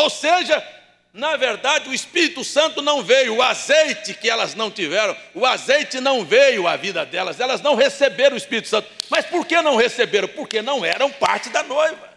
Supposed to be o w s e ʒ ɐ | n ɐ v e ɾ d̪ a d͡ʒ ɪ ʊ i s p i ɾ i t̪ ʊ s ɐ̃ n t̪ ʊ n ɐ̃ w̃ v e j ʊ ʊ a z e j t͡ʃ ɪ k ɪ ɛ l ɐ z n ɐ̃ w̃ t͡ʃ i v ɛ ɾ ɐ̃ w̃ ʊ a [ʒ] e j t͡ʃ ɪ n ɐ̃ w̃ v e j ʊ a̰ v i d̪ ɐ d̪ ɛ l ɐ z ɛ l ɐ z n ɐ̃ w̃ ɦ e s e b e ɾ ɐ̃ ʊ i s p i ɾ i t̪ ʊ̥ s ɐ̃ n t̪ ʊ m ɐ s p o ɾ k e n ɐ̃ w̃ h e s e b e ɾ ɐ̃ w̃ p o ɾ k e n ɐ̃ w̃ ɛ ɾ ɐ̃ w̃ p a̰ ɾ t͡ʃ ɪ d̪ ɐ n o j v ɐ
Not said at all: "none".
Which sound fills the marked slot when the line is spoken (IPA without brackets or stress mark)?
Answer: z